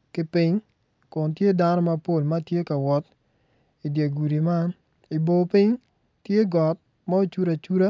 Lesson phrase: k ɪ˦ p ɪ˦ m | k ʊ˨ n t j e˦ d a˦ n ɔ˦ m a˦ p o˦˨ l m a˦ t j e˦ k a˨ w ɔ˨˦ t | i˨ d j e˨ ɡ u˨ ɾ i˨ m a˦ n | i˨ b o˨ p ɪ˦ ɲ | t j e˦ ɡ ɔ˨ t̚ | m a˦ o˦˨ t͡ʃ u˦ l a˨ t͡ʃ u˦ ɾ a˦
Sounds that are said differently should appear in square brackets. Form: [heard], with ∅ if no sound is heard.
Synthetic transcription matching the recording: k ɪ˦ p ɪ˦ [ɲ] | k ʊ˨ n t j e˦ d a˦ n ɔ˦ m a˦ p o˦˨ l m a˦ t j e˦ k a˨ w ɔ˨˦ t | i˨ d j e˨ ɡ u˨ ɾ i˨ m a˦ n | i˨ b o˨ p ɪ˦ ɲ | t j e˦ ɡ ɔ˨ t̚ | m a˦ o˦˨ t͡ʃ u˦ [ɾ] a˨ t͡ʃ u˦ ɾ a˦

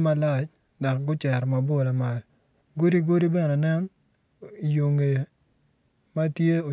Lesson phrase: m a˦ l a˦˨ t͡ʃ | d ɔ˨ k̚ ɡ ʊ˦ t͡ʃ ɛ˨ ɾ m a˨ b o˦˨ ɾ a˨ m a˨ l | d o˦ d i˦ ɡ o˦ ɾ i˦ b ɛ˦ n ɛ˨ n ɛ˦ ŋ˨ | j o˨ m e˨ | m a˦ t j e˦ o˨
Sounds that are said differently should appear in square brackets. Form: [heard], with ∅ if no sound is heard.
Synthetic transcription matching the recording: m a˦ l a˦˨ t͡ʃ | d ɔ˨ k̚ ɡ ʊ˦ t͡ʃ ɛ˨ ɾ m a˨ b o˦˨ [l] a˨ m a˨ l | [ɡ] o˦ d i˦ ɡ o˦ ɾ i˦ b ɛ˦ n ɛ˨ n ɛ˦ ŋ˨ | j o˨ [ŋ] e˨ | m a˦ t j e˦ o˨

